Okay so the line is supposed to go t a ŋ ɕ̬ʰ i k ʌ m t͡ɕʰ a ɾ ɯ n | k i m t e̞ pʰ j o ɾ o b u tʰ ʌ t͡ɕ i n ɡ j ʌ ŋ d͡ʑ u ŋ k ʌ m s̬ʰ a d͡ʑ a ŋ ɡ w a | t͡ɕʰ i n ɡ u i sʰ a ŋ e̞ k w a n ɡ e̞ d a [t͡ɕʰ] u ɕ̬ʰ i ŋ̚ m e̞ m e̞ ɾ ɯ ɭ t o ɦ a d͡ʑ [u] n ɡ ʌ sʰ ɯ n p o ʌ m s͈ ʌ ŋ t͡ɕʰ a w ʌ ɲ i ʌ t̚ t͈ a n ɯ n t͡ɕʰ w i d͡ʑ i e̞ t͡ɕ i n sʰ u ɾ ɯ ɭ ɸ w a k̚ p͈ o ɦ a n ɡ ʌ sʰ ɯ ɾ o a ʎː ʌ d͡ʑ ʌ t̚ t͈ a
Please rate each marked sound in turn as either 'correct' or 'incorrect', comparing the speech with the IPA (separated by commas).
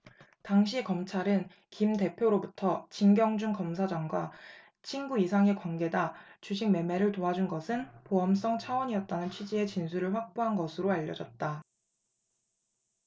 incorrect, correct